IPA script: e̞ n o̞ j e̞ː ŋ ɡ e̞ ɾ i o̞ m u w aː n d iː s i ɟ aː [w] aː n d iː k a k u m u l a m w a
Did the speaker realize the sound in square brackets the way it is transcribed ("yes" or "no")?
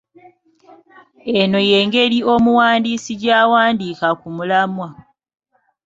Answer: yes